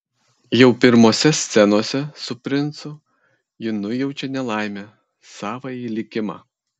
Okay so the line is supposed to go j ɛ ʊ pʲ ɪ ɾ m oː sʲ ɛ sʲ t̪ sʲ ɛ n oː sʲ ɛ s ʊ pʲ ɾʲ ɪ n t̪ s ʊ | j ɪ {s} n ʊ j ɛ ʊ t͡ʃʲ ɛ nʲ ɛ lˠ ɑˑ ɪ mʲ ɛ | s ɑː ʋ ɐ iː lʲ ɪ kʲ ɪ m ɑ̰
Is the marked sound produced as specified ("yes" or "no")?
no